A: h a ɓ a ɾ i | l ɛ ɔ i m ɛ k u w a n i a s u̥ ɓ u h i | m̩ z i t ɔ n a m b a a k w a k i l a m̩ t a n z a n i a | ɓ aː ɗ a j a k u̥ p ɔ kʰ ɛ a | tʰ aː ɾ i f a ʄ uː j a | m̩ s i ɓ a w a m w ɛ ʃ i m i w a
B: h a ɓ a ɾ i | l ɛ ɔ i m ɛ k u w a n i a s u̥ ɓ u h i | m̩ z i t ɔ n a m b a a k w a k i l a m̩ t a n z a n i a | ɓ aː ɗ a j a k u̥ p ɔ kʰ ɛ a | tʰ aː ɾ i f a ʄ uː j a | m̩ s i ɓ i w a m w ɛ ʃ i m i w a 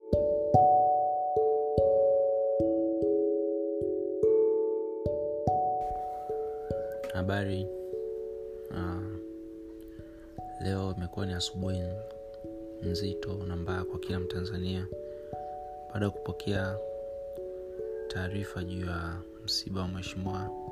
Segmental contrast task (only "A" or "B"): A